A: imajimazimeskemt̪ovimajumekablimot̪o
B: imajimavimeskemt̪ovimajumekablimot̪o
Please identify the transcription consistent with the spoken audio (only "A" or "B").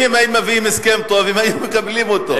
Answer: B